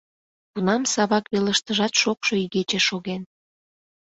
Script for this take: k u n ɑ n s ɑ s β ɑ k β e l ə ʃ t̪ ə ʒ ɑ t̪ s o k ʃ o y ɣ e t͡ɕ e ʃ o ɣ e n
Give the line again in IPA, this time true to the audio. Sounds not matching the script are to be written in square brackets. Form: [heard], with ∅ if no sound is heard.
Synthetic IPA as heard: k u n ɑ [m] s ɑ [∅] β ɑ k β e l ə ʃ t̪ ə ʒ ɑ t̪ [ʃ] o k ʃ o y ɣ e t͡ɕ e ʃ o ɣ e n